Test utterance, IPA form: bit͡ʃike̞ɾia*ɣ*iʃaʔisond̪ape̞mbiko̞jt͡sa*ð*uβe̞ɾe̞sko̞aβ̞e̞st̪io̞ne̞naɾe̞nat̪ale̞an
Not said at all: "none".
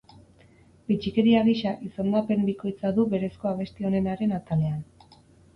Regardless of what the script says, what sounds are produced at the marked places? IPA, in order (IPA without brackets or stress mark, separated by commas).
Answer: ɣ, ð